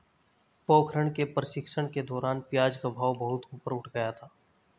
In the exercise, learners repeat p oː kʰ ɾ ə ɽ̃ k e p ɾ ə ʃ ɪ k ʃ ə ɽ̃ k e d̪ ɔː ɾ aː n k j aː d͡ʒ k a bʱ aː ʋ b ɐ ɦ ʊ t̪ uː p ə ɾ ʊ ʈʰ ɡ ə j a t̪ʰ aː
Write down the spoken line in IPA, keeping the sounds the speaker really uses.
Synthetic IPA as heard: p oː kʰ ɾ ə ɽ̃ k e p ɾ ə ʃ ɪ k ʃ ə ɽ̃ k e d̪ ɔː ɾ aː n p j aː d͡ʒ k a bʱ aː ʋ b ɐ ɦ ʊ t̪ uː p ə ɾ ʊ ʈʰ ɡ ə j a t̪ʰ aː